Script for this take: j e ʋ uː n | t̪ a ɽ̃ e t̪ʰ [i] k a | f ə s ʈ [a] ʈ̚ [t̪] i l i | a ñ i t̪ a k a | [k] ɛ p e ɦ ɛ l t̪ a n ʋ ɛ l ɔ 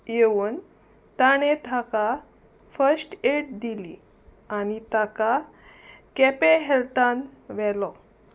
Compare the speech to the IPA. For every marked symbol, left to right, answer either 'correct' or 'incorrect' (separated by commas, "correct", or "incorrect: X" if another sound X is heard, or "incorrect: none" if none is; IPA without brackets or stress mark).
incorrect: a, incorrect: e, incorrect: d̪, correct